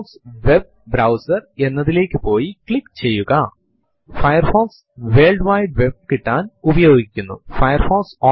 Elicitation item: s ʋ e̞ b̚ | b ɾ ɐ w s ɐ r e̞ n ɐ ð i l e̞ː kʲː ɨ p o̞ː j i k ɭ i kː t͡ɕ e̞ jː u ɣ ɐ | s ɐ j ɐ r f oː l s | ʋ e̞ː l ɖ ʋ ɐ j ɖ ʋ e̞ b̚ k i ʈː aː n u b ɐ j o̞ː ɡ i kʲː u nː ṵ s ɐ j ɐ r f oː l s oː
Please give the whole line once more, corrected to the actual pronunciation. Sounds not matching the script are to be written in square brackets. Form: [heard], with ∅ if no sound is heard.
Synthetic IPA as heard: s ʋ e̞ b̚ | b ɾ ɐ w s ɐ r e̞ [nː] ɐ ð i l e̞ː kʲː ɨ p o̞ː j i k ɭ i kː t͡ɕ e̞ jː u ɣ ɐ | [f] ɐ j ɐ r f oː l s | ʋ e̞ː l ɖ ʋ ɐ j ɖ ʋ e̞ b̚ k i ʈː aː n u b ɐ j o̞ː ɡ i kʲː u nː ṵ [f] ɐ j ɐ r f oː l s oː